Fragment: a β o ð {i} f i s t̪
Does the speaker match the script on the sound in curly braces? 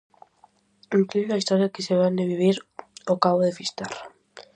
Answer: no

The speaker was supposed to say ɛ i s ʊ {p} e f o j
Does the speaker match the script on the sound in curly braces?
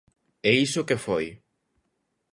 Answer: no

